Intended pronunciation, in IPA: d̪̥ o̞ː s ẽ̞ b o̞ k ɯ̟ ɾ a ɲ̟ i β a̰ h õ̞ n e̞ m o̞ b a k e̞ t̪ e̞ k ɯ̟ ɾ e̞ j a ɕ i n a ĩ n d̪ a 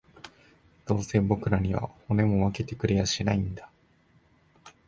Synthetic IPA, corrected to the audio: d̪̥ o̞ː s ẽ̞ b o̞ k ɯ̟ ɾ a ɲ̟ i β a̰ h o̞ n e̞ m o̞ β a k e̞ t̪ e̞ k ɯ̟ ɾ e̞ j a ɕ i n a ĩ n d̪ a